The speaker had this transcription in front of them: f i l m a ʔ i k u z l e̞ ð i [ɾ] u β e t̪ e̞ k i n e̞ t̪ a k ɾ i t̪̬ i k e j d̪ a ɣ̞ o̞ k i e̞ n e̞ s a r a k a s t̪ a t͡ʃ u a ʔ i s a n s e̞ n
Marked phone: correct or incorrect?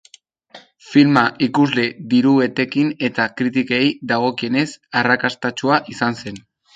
correct